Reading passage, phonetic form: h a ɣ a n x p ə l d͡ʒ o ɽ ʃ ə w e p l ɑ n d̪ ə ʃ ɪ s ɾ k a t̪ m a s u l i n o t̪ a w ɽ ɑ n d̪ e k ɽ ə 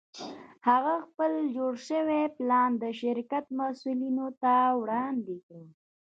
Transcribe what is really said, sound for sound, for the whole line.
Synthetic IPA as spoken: h a ɣ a x p ə l d͡ʒ o ɽ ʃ ə w e p l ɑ n d̪ ə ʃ ɪ ɾ k a t̪ m a s u l i n o t̪ a w ɽ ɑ n d̪ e k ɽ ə